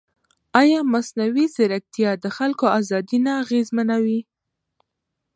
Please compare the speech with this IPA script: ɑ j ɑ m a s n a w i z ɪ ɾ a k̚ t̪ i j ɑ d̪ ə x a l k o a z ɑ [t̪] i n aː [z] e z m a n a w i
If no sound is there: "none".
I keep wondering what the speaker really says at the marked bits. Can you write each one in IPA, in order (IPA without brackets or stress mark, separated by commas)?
d̪, ɣ